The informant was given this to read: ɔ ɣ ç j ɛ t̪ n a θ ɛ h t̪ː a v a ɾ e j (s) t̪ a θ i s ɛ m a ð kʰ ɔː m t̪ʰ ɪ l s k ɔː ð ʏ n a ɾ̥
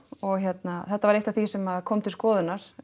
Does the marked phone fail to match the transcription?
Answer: yes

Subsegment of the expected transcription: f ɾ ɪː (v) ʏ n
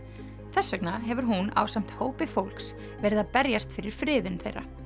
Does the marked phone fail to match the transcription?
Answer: yes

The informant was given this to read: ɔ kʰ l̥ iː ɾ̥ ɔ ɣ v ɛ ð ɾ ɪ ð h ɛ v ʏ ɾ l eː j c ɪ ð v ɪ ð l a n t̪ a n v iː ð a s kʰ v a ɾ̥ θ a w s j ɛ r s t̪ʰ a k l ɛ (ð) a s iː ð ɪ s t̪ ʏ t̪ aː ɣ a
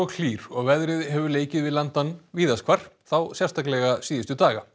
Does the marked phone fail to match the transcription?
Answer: yes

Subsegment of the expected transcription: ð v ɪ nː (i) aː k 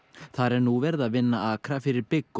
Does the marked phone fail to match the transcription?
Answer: yes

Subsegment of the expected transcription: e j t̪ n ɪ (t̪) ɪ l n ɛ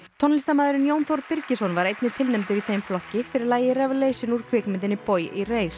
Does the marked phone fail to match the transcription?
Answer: yes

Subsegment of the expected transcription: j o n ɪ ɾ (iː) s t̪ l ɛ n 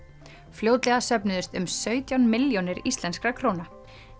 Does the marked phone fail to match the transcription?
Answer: yes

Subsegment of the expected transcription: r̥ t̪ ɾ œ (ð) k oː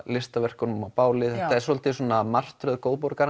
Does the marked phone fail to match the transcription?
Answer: no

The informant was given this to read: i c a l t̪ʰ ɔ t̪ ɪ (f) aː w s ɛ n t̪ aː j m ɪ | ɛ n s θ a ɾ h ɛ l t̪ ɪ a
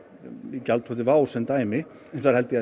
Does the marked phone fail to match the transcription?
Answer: yes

